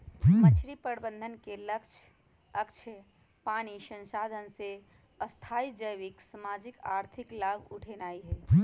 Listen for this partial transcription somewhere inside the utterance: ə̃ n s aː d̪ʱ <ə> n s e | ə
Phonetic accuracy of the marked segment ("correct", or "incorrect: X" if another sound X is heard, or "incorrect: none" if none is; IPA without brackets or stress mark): correct